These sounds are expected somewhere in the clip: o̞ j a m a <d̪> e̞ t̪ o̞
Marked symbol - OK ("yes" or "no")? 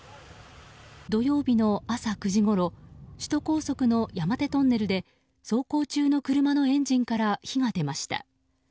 no